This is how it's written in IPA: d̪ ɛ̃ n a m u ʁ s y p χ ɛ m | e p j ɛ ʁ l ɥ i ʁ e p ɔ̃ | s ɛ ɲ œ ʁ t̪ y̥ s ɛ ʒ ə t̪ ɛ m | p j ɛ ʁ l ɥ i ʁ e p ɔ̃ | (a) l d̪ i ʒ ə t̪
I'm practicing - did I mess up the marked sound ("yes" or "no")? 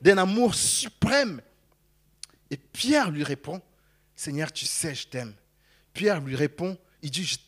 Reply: yes